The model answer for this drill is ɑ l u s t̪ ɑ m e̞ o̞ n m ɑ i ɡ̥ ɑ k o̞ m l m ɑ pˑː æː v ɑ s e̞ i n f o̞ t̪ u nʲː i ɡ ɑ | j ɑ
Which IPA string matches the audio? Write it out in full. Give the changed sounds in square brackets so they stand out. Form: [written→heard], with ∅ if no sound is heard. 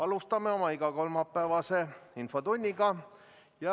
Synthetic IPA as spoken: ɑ l u s t̪ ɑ m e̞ o̞ [n→∅] m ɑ i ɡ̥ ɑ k o̞ [m→∅] l m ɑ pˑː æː v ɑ s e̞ i n f o̞ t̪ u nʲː i ɡ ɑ | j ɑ